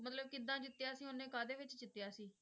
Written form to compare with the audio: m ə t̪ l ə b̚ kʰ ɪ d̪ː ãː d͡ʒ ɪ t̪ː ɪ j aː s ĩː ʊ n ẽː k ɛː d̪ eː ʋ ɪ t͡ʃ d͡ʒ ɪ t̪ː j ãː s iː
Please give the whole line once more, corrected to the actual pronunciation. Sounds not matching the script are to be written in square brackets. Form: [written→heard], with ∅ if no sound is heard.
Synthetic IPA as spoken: m ə t̪ l ə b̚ [kʰ→k] ɪ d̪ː ãː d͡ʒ ɪ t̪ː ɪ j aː s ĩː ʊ n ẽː k [ɛː→aː] d̪ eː ʋ ɪ t͡ʃ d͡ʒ ɪ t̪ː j [ãː→aː] s iː